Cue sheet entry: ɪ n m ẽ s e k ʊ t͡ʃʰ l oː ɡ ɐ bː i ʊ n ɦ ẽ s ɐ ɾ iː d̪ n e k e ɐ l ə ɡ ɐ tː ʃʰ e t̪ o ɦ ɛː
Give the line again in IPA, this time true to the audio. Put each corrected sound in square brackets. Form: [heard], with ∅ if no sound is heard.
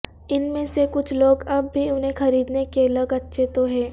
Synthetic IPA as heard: ɪ n m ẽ s e k ʊ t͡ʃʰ l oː ɡ ɐ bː i ʊ n ɦ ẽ [x] ɐ ɾ iː d̪ n e k e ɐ l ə ɡ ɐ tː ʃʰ e t̪ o ɦ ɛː